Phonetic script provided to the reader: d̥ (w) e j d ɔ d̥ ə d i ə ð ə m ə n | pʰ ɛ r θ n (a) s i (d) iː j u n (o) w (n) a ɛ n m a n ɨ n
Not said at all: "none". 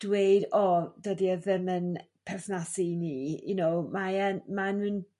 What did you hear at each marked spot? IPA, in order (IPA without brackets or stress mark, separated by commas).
w, a, n, o, m